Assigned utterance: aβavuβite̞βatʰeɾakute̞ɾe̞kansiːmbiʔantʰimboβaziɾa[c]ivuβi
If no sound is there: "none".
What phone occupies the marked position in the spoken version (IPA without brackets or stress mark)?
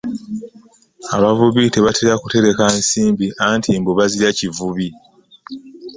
c